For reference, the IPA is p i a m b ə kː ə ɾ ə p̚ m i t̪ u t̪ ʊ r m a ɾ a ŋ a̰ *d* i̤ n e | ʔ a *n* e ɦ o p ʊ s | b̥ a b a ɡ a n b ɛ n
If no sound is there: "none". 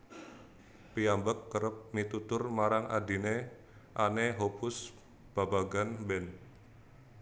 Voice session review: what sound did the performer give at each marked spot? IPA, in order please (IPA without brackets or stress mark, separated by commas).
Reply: d, n